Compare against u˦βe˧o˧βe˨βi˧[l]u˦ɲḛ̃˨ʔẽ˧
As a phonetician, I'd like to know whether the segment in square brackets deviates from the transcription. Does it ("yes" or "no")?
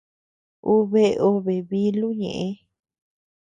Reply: no